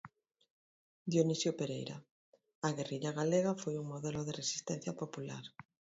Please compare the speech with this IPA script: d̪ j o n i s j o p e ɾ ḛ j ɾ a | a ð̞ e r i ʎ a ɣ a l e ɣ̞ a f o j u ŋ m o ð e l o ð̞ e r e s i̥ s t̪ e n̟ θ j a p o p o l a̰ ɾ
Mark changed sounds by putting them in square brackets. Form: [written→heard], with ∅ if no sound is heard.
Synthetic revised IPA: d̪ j o n i s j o p e ɾ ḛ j ɾ a | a [ð̞→ɣ̞] e r i ʎ a ɣ a l e ɣ̞ a f o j u ŋ m o ð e l o ð̞ e r e s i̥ s t̪ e n̟ θ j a p o p [o→u] l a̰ ɾ